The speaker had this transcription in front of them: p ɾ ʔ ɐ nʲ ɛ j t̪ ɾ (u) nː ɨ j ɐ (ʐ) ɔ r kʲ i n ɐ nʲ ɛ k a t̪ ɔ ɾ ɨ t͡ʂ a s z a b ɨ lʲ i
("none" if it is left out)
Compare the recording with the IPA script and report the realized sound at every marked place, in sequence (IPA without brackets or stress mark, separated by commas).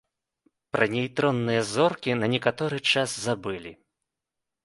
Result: ɔ, z